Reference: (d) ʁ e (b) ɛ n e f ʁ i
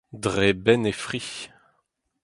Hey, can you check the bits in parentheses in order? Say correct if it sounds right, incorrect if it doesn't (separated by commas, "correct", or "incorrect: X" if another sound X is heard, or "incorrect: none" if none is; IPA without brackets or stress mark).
correct, correct